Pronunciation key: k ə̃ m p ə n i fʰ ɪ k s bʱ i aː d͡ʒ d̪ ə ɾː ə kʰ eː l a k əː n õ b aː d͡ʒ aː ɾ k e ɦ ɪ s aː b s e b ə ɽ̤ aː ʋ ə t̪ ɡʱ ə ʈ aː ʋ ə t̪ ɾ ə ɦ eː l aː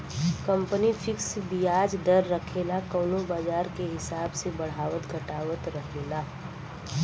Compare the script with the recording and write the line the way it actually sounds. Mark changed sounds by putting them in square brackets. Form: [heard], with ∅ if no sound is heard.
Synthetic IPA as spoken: k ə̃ m p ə n i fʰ ɪ k s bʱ i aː d͡ʒ d̪ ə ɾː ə kʰ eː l a k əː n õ b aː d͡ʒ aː ɾ k e ɦ ɪ s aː b s e b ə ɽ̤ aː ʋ ə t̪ ɡʱ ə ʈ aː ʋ ə t̪ ɾ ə ɦ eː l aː